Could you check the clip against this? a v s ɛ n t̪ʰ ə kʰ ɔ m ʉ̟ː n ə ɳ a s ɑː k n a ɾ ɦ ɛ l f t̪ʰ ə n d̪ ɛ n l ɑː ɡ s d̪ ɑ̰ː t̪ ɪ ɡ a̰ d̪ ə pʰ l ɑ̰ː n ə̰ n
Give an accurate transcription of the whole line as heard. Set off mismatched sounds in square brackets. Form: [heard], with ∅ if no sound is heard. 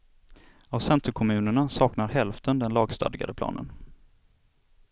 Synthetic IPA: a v s ɛ n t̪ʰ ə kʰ ɔ m ʉ̟ː n ə ɳ a s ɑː k n a ɾ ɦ ɛ l f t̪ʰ ə n d̪ ɛ n l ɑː ɡ s [t̪] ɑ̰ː [d̪] ɪ ɡ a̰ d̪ ə pʰ l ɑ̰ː n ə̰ n